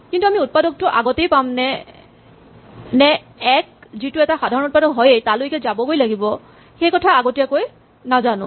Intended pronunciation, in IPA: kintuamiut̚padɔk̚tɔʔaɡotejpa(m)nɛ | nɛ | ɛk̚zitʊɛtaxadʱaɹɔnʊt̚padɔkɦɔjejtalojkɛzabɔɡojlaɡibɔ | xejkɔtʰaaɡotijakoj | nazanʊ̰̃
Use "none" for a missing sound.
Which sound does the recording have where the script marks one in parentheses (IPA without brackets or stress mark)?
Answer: m